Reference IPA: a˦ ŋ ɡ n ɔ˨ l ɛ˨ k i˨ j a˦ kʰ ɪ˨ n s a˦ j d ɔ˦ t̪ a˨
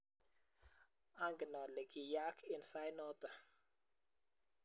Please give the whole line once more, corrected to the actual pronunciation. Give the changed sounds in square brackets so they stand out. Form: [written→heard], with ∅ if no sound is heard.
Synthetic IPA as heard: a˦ ŋ ɡ n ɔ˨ l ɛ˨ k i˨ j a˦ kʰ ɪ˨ n s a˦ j [d→n] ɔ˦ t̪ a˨